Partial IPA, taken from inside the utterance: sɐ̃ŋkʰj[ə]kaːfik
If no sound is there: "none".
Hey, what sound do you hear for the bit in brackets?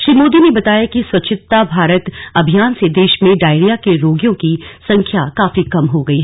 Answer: a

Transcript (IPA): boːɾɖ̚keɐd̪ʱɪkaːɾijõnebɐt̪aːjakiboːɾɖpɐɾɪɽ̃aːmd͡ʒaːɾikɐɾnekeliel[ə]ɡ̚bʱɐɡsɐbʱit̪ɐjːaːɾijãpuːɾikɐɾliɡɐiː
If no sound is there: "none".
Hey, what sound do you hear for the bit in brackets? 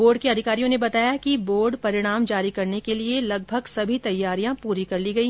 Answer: ɐ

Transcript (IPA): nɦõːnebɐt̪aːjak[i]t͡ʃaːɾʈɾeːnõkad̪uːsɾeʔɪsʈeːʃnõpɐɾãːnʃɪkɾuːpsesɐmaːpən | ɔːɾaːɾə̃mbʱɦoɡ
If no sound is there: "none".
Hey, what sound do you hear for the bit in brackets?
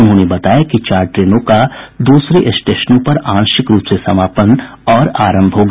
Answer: i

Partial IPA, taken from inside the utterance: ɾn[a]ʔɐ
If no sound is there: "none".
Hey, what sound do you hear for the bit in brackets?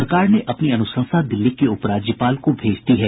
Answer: e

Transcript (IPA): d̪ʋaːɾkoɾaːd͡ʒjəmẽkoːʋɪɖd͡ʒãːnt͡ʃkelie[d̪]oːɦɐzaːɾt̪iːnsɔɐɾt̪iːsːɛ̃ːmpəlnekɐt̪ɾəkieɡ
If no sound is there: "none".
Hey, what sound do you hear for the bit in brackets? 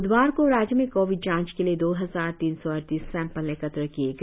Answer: d̪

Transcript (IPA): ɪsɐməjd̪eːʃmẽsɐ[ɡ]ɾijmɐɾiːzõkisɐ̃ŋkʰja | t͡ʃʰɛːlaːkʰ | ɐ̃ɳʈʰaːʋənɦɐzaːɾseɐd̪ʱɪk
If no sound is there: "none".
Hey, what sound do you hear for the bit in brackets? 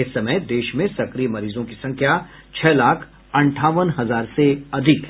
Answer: k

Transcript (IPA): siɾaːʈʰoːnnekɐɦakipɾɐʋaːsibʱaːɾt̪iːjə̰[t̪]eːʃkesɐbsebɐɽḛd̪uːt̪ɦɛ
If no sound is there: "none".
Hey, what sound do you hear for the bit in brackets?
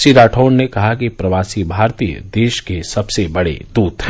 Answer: d̪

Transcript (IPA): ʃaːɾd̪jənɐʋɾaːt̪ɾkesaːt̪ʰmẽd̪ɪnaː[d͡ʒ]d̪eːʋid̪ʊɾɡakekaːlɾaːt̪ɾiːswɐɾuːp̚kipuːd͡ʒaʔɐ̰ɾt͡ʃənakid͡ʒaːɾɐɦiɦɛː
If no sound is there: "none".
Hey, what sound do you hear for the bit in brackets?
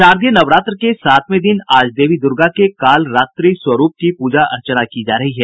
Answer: d͡ʒ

